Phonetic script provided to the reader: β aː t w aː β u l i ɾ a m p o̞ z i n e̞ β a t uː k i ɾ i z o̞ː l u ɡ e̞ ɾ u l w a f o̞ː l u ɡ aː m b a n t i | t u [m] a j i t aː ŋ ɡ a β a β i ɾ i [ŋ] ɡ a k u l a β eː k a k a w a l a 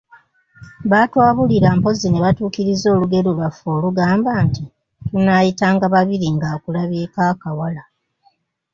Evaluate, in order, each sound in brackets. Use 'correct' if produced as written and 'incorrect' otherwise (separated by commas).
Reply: incorrect, correct